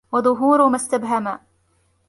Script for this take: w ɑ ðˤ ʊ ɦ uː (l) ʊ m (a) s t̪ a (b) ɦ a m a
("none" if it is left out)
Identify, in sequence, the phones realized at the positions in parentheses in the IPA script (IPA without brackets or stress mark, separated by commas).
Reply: ɾ, a, b